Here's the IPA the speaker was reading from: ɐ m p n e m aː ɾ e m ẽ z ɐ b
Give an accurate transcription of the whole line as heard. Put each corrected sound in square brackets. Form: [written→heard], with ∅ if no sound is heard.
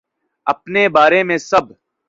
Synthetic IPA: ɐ [m→∅] p n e [m→b] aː ɾ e m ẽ [z→s] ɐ b